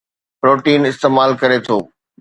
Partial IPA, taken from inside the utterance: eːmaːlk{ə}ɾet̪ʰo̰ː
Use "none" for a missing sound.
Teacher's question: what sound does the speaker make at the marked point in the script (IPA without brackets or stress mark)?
ɐ